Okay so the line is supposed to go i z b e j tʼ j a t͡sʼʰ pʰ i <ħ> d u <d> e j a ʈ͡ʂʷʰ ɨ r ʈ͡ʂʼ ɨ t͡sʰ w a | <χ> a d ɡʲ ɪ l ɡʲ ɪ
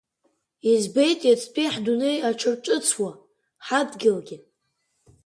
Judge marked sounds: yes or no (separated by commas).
yes, no, no